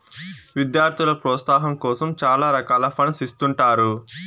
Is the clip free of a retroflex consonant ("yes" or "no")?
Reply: no